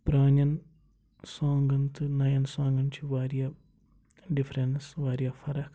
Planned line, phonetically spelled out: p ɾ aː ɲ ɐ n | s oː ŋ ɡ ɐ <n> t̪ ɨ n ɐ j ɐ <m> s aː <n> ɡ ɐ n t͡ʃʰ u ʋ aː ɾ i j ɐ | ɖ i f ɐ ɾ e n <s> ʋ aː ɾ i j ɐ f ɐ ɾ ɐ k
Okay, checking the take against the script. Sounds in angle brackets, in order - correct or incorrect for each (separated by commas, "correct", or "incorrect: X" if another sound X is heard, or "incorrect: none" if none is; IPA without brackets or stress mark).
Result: correct, incorrect: n, incorrect: ŋ, correct